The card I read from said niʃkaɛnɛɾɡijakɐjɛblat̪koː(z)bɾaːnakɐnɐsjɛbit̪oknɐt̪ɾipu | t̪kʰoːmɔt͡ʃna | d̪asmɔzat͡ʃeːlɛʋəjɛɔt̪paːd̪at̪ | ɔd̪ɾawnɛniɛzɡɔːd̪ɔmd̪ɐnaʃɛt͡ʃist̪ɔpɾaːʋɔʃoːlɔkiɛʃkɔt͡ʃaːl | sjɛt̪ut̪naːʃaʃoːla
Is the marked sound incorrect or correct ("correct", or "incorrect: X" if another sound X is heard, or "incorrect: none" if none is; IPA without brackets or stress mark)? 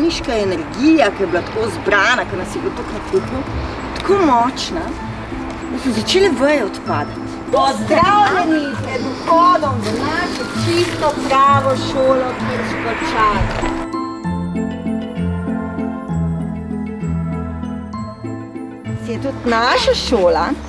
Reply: correct